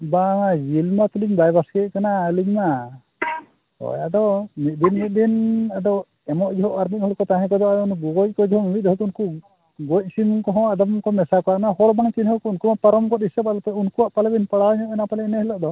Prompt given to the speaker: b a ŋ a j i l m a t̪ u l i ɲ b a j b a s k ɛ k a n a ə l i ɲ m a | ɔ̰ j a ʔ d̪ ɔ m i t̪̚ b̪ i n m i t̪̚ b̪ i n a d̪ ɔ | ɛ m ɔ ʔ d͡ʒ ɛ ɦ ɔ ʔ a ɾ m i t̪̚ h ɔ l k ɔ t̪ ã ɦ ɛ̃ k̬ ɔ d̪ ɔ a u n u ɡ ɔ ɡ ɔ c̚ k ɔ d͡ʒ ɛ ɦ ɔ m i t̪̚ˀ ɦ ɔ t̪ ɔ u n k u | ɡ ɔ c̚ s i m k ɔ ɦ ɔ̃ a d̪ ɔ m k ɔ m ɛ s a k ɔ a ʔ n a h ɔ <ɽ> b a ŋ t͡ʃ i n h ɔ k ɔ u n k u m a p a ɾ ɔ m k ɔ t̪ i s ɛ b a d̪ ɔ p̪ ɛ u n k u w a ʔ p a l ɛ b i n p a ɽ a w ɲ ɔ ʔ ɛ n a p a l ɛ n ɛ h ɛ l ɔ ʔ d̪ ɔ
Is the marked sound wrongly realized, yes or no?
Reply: yes